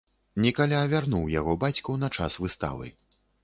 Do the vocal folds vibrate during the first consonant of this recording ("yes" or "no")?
yes